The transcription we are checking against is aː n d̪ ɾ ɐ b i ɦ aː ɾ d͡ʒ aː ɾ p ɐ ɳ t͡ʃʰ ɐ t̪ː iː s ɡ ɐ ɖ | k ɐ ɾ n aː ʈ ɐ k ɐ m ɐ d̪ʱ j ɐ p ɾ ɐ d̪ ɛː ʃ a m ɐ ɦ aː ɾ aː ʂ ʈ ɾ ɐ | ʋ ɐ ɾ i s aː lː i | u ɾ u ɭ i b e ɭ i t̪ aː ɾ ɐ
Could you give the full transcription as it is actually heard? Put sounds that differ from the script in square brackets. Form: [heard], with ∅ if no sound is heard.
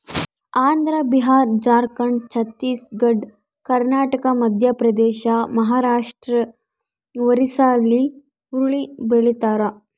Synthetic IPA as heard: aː n d̪ ɾ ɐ b i ɦ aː ɾ d͡ʒ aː ɾ [k] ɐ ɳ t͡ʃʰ ɐ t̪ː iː s ɡ ɐ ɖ | k ɐ ɾ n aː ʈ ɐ k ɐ m ɐ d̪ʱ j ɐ p ɾ ɐ d̪ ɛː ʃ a m ɐ ɦ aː ɾ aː ʂ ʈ ɾ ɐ | ʋ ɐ ɾ i s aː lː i | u ɾ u ɭ i b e ɭ i t̪ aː ɾ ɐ